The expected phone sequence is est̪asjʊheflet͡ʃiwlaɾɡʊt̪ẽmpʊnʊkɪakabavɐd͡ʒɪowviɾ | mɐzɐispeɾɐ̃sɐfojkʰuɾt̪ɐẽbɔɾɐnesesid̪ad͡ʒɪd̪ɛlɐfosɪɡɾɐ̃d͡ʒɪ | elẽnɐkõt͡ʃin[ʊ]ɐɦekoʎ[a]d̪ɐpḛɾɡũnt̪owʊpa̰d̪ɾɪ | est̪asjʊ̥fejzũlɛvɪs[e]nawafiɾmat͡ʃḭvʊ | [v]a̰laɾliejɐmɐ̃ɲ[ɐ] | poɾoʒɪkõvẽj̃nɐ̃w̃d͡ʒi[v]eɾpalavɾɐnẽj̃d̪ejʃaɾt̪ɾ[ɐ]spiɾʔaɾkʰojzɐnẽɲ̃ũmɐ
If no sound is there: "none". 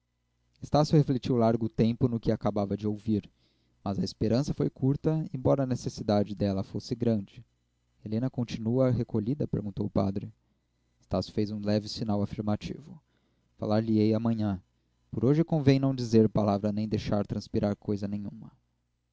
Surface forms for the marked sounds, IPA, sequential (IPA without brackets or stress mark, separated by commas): u, i, i, f, ɐ̃, z, ɐ̃